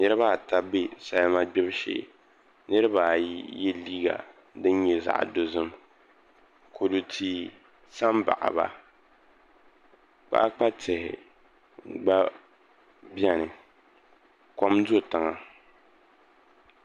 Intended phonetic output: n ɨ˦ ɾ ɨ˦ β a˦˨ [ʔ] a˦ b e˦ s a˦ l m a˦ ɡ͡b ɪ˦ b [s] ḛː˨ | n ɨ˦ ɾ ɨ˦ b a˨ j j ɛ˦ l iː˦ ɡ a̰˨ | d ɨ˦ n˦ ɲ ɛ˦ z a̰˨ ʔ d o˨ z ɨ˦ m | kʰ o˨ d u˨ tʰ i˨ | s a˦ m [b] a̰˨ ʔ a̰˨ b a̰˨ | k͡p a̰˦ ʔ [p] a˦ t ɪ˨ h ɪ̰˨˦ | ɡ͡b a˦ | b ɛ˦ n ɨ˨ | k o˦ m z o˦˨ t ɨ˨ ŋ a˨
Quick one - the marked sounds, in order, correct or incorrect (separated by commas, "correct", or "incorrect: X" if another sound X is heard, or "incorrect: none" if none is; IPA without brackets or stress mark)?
incorrect: t, incorrect: ʃ, correct, incorrect: k͡p